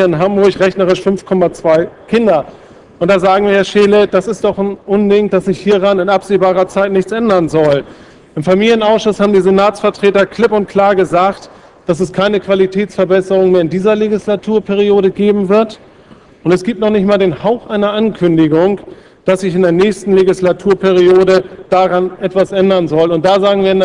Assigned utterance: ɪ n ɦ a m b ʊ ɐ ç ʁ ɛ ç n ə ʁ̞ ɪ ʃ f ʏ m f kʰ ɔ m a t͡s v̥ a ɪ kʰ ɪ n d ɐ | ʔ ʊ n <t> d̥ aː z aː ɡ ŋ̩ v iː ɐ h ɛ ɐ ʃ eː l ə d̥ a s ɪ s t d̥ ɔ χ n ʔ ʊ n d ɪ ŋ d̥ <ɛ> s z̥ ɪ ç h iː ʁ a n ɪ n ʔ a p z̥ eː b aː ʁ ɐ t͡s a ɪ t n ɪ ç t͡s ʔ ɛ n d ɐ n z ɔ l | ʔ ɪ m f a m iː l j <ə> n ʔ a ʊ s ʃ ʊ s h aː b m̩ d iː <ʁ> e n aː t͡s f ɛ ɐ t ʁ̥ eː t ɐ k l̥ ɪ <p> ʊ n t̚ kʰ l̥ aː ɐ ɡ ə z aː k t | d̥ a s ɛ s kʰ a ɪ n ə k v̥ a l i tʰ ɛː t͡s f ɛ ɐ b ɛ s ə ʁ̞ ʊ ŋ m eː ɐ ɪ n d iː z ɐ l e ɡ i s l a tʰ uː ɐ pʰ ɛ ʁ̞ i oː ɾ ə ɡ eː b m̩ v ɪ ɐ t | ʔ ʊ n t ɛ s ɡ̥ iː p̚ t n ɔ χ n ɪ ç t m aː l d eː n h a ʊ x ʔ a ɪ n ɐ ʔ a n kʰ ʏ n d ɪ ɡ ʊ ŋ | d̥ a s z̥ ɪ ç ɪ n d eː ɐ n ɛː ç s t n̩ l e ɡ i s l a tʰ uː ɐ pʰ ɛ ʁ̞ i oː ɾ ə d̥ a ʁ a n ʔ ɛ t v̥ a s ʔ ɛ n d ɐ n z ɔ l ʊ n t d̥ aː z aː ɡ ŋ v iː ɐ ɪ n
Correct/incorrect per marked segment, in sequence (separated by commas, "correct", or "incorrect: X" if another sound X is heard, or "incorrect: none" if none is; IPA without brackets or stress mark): correct, incorrect: a, correct, incorrect: z, correct